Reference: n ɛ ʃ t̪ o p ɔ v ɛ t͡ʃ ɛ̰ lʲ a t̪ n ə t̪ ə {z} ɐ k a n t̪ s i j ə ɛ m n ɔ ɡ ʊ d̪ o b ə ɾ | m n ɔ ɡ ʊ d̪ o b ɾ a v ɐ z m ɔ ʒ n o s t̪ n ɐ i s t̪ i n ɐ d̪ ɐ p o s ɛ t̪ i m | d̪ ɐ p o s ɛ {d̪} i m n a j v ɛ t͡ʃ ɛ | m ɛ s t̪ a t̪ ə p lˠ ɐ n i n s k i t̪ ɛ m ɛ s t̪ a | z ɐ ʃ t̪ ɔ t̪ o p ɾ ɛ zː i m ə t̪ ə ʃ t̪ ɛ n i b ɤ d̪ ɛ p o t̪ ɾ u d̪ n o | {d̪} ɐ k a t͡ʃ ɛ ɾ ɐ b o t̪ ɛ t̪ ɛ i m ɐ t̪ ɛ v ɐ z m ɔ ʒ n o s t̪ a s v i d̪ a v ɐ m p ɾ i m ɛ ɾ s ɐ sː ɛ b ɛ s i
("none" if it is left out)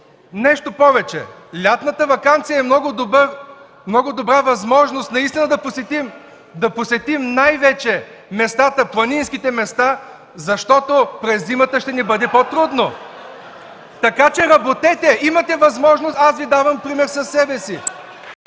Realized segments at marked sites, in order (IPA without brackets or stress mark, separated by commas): v, t̪, t̪